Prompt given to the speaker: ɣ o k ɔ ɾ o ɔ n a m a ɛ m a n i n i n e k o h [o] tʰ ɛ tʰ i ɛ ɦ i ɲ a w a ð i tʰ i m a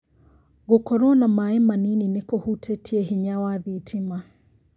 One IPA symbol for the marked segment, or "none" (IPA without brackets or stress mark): u